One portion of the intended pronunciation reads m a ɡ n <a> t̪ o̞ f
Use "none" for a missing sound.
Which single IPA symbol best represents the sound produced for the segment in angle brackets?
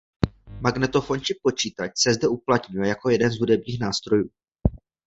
ɛ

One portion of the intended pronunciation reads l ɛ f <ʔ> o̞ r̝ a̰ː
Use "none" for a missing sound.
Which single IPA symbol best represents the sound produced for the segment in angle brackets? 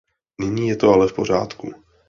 p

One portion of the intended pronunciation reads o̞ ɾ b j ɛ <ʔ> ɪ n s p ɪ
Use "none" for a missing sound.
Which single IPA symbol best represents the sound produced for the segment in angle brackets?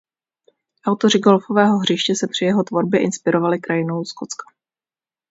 ʔ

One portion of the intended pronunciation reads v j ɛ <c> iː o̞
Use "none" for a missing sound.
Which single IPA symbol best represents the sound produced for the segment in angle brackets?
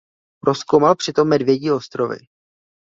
ɟ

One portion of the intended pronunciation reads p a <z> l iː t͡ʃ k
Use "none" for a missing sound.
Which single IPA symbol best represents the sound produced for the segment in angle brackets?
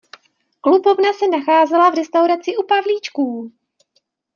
v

